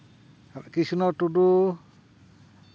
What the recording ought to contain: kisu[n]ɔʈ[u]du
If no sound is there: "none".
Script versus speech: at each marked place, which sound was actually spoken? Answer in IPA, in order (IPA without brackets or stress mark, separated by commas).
n, u